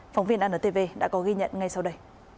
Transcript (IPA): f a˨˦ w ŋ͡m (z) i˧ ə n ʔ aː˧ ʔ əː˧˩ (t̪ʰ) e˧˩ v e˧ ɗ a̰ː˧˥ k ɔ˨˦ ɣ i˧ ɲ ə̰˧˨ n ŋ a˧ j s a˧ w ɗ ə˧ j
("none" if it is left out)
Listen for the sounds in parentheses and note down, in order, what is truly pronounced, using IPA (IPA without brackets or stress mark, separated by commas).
v, t̪